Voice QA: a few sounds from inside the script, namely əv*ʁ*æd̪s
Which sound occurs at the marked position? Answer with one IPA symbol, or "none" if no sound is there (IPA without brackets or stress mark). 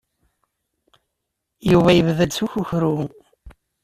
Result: ð